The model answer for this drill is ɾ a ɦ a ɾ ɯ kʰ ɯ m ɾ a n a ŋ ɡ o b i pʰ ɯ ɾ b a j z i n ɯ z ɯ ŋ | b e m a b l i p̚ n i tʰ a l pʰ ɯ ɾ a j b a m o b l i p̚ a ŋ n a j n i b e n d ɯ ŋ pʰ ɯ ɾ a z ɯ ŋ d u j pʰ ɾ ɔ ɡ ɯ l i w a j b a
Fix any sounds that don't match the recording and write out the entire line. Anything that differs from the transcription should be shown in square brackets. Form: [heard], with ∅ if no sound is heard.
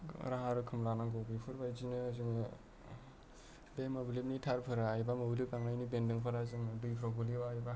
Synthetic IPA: ɾ a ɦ a ɾ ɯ kʰ ɯ m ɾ a n a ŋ ɡ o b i pʰ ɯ ɾ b a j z i n ɯ z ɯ ŋ | b e m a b l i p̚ n i tʰ a [ɾ] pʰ ɯ ɾ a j b a m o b l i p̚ a ŋ n a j n i b e n d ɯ ŋ pʰ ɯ ɾ a z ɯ ŋ d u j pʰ ɾ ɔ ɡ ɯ l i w a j b a